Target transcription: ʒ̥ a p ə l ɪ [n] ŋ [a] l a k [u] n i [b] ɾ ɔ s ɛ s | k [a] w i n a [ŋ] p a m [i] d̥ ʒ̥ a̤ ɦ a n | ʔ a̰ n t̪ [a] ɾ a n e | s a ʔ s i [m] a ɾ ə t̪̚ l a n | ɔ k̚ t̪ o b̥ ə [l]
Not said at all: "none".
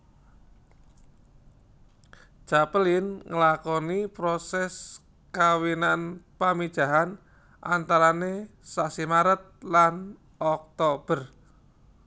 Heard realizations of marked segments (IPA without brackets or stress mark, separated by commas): n, ə, ɔ, p, a, n, i, a, m, r